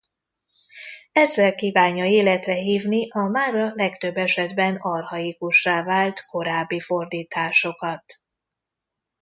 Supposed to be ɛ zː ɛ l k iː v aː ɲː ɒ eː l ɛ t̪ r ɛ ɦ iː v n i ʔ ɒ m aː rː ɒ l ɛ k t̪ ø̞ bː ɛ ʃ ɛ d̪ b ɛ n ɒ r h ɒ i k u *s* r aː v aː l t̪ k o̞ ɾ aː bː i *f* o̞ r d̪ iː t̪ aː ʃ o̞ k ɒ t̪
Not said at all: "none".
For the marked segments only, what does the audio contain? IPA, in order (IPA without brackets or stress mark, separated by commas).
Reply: ʃ, f